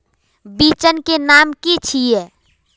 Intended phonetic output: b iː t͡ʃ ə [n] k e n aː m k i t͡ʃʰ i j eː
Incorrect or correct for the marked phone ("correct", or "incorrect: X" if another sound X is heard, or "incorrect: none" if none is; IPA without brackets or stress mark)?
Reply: correct